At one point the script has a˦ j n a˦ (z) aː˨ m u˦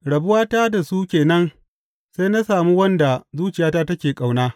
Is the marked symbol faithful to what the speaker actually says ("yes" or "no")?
no